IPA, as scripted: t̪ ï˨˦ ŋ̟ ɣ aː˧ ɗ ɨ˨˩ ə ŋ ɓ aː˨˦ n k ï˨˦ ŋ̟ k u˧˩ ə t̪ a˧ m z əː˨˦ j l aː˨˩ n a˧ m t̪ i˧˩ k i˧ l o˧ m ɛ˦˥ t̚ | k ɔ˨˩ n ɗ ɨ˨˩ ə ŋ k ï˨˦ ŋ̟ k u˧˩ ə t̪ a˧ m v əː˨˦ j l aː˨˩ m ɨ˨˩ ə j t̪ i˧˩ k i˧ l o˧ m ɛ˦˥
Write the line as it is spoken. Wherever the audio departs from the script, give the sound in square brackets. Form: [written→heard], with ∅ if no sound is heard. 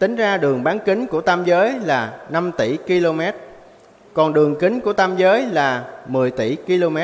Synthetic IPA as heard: t̪ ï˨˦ ŋ̟ [ɣ→z] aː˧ ɗ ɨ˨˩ ə ŋ ɓ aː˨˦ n k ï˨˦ ŋ̟ k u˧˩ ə t̪ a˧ m z əː˨˦ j l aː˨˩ n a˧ m t̪ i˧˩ k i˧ l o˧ m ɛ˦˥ t̚ | k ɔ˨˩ n ɗ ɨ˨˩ ə ŋ k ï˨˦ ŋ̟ k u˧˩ ə t̪ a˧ m [v→z] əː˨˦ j l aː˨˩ m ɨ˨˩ ə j t̪ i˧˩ k i˧ l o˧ m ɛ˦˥